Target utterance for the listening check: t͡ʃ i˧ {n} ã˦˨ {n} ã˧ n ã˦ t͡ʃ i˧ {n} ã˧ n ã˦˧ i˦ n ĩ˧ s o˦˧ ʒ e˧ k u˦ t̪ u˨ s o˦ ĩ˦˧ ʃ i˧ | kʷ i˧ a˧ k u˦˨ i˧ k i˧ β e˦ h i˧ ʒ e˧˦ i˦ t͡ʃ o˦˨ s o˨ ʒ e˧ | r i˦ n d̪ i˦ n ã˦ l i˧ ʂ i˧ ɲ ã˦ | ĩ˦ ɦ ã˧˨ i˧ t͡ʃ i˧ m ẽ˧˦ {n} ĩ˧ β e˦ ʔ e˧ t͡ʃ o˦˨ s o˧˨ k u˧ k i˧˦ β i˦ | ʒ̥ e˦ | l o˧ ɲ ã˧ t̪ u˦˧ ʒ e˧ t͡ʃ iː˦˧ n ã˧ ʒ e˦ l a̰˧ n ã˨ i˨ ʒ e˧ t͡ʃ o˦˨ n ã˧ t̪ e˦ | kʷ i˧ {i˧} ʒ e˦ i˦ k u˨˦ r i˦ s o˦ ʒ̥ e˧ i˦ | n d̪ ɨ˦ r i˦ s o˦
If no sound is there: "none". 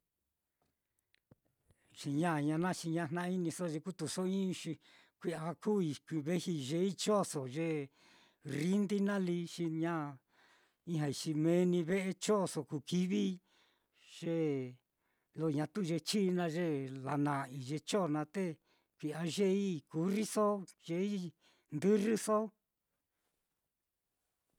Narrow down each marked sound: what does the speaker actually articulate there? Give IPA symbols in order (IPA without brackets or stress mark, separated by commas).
ɲ, ɲ, ɲ, n, a˧